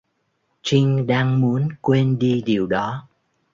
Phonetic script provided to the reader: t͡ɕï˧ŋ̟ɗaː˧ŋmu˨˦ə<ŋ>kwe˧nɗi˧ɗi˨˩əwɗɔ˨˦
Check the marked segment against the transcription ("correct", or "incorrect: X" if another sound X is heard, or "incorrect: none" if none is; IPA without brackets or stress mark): incorrect: n